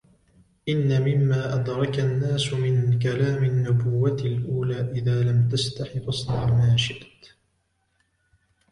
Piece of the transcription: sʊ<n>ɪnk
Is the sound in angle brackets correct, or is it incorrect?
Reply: incorrect